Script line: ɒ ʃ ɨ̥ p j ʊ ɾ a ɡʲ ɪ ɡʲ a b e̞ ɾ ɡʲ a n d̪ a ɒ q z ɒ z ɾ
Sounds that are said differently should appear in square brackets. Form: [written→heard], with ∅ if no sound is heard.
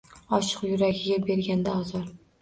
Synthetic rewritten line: ɒ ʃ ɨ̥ [p→q] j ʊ ɾ a ɡʲ ɪ ɡʲ a b e̞ ɾ ɡʲ a n d̪ a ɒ [q→∅] z ɒ [z→∅] ɾ